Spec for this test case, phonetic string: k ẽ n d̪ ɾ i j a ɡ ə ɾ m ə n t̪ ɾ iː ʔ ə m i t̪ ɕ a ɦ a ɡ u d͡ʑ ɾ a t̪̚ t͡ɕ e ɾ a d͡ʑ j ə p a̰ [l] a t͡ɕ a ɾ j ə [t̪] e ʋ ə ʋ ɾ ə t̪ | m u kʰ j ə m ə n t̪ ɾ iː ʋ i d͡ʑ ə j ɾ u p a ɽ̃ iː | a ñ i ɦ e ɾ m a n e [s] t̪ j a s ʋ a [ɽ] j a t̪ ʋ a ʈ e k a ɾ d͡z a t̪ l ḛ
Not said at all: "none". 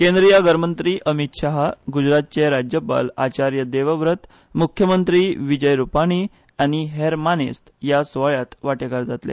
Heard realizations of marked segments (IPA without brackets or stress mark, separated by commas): l, d̪, s, ɭ